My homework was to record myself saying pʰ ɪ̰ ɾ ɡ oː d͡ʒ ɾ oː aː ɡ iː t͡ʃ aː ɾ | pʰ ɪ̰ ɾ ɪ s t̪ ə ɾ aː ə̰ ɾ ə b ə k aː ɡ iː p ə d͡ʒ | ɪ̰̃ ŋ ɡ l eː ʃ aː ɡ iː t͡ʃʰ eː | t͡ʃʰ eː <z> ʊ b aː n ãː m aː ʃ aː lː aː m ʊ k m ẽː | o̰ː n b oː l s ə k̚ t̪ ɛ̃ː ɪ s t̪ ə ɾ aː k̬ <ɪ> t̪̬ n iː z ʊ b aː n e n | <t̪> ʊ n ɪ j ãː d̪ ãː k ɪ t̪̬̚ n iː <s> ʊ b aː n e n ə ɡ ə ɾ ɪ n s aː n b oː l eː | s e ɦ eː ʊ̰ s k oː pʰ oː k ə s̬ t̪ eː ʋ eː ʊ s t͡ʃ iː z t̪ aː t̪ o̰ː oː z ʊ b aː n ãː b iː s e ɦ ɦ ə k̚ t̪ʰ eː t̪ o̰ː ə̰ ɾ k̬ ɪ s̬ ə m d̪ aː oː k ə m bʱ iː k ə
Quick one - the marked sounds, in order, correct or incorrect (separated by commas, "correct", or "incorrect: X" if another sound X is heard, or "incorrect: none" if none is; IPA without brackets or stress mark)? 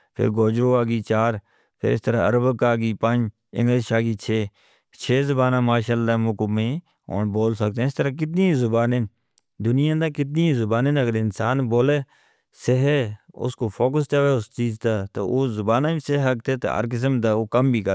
correct, correct, incorrect: d̪, incorrect: z